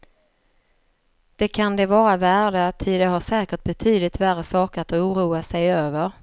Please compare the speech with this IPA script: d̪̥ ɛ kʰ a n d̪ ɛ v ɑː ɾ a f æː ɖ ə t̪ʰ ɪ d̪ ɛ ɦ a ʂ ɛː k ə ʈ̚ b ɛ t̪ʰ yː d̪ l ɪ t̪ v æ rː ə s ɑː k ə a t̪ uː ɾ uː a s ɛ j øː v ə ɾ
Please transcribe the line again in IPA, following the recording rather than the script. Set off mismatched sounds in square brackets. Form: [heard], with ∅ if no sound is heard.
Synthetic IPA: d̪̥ ɛ kʰ a n d̪ ɛ v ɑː ɾ a [v] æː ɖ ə t̪ʰ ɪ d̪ ɛ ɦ a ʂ ɛː k ə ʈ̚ b ɛ t̪ʰ yː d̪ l ɪ t̪ v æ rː ə s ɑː k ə a t̪ uː ɾ uː a s ɛ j øː v ə ɾ